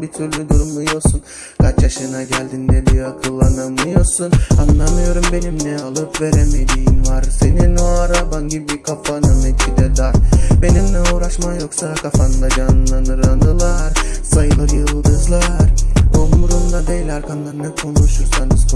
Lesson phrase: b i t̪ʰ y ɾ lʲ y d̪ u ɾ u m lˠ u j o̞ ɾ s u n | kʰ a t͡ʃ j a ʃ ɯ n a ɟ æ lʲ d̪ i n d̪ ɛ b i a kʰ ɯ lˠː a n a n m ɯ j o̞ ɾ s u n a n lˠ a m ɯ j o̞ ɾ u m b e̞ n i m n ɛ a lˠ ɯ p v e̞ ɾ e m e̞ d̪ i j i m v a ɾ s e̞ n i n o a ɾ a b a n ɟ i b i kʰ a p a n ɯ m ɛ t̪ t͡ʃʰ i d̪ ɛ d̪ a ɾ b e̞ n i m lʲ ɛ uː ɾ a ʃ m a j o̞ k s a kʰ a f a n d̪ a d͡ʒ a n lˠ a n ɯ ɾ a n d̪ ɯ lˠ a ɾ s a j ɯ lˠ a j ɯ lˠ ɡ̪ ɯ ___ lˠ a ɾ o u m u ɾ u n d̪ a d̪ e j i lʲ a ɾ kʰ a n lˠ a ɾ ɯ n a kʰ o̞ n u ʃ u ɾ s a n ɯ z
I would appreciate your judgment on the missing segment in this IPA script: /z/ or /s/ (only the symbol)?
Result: z